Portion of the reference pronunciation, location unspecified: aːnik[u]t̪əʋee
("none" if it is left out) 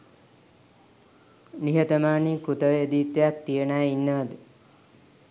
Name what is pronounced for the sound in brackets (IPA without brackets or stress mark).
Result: u